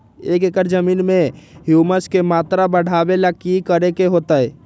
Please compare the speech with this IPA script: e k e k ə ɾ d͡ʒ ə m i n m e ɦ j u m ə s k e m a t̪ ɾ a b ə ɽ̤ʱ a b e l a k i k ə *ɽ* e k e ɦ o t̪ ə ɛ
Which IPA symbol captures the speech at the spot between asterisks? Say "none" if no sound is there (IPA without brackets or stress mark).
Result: ɾ